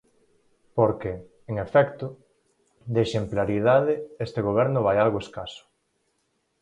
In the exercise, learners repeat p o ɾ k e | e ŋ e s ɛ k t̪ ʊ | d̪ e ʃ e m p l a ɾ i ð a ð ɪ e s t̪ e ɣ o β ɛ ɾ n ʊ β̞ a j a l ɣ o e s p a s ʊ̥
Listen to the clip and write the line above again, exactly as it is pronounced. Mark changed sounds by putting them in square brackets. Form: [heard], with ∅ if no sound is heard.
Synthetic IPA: p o ɾ k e | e ŋ e [f] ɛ k t̪ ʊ | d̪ e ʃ e m p l a ɾ i ð a ð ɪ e s t̪ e ɣ o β ɛ ɾ n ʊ β̞ a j a l ɣ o e s [k] a s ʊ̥